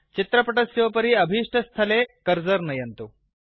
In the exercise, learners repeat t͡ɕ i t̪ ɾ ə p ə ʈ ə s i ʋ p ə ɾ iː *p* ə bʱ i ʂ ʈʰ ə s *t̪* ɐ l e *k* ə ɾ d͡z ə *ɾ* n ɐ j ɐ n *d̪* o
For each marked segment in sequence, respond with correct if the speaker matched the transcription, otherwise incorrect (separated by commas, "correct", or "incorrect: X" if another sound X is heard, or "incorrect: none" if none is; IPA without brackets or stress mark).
incorrect: none, incorrect: t̪ʰ, correct, correct, incorrect: t̪